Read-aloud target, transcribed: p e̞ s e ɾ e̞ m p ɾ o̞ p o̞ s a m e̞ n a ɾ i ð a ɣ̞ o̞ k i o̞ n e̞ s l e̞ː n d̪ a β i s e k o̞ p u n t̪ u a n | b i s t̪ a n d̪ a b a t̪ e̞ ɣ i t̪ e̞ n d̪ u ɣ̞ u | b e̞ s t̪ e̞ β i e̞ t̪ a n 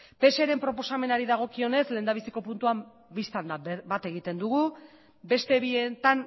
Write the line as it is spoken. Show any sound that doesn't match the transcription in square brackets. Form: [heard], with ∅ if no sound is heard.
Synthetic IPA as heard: p e̞ s e ɾ e̞ m p ɾ o̞ p o̞ s a m e̞ n a ɾ i ð a ɣ̞ o̞ k i o̞ n e̞ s l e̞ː n d̪ a β i s [i] k o̞ p u n t̪ u a [m] | b i s t̪ a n d̪ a b a t̪ e̞ ɣ i t̪ e̞ n d̪ u ɣ̞ u | b e̞ s t̪ e̞ β i e̞ t̪ a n